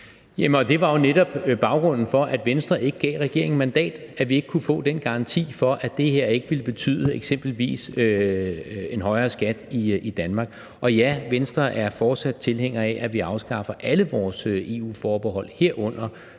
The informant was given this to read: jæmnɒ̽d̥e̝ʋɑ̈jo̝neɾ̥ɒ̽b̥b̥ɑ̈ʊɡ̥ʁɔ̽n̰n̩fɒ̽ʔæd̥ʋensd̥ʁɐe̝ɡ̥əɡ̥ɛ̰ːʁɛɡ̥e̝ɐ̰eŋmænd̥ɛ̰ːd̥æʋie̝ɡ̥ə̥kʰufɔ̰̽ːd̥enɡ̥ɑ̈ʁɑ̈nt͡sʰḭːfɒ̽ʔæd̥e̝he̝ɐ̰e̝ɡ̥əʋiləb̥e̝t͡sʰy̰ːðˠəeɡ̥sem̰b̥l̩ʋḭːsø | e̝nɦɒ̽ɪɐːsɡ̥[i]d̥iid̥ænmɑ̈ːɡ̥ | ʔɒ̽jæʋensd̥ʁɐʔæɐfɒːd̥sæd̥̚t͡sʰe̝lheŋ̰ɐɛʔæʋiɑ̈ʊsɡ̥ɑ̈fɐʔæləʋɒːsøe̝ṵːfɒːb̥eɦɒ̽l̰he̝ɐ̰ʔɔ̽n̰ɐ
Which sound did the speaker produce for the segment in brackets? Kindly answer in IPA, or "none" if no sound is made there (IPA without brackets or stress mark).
æ